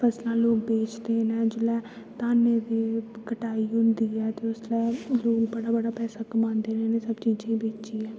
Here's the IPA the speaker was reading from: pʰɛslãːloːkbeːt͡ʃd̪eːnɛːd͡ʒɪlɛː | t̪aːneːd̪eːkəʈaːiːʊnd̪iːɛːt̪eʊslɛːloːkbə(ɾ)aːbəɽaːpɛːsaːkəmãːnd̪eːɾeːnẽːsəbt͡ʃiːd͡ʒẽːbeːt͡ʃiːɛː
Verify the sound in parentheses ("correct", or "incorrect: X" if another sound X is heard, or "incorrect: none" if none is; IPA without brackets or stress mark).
incorrect: ɽ